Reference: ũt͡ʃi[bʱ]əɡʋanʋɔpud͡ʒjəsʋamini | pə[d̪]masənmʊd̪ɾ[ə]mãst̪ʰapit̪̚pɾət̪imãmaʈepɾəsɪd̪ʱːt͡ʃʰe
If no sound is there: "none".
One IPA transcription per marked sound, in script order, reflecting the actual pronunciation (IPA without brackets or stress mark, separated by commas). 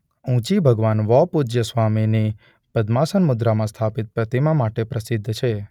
bʱ, d̪, a